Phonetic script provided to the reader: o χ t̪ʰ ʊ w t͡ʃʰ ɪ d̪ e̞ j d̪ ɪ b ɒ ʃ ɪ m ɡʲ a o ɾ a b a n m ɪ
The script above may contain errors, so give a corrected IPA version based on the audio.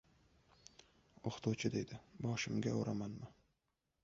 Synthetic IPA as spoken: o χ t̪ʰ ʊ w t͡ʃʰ ɪ d̪ e̞ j d̪ ɪ b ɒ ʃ ɪ m ɡʲ a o ɾ a m a n m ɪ